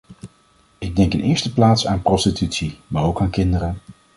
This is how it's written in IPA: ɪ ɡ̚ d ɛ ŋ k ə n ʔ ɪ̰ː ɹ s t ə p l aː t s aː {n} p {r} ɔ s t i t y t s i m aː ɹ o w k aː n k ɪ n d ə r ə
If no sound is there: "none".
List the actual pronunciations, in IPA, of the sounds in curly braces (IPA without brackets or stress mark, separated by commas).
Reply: n, r